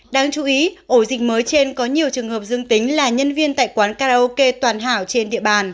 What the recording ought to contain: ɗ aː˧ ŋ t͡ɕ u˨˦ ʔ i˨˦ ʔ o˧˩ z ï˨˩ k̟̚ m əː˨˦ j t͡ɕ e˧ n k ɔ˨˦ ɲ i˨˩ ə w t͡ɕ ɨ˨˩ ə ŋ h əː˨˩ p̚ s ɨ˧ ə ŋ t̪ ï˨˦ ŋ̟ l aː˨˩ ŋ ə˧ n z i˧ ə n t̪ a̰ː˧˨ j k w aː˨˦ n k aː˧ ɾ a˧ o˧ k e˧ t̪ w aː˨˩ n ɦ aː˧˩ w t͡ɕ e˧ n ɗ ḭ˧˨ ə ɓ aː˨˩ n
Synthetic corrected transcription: ɗ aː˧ ŋ t͡ɕ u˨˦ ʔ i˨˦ ʔ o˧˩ z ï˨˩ k̟̚ m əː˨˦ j t͡ɕ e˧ n k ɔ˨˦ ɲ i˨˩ ə w t͡ɕ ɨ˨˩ ə ŋ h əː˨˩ p̚ z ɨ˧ ə ŋ t̪ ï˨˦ ŋ̟ l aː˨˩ ɲ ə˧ n v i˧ ə n t̪ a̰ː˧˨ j k w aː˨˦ n k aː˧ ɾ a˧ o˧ k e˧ t̪ w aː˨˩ n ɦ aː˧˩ w t͡ɕ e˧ n ɗ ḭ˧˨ ə ɓ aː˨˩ n